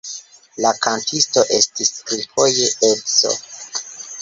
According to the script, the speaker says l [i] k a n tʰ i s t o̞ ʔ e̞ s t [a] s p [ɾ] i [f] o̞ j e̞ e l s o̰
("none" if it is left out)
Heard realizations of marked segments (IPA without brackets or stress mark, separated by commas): a, i, ɾ, f